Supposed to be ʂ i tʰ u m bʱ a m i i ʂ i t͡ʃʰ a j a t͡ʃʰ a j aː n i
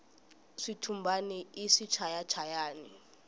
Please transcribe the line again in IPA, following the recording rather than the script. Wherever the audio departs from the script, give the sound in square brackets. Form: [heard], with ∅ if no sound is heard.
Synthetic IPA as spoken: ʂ i tʰ u m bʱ a [n] i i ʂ i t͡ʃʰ a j a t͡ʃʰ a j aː n i